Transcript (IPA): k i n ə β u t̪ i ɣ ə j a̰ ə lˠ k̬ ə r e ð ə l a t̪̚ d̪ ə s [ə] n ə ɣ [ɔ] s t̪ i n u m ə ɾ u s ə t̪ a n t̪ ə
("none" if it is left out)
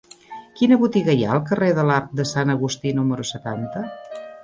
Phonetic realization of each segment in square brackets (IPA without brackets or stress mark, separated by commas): a, u